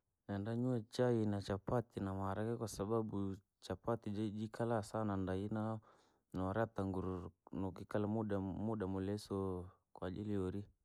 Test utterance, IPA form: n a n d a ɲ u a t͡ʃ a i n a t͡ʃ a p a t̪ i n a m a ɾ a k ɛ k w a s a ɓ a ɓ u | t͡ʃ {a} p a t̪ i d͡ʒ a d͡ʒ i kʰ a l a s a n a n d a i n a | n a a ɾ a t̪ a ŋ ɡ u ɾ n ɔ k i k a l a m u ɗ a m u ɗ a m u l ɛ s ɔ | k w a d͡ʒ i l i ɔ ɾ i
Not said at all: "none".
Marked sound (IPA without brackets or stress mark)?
a